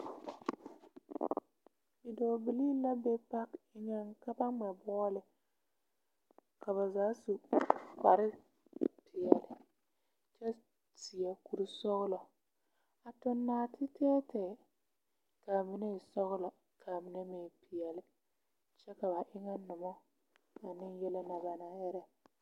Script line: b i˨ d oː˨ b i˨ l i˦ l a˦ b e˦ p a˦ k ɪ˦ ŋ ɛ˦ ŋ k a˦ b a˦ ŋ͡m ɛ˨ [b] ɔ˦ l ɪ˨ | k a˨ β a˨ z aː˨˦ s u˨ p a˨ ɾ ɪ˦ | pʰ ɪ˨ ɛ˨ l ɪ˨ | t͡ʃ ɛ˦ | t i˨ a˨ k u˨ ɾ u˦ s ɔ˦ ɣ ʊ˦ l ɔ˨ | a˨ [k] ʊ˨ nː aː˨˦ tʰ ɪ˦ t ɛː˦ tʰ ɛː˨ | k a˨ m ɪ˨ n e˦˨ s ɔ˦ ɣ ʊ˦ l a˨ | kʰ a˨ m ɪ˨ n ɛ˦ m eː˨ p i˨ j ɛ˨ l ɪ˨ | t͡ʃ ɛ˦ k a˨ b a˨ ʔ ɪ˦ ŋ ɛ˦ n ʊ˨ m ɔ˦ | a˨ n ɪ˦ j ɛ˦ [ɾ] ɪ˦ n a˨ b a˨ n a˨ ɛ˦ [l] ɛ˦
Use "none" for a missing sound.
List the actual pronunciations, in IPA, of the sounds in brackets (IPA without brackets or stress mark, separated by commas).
b, t, l, ɾ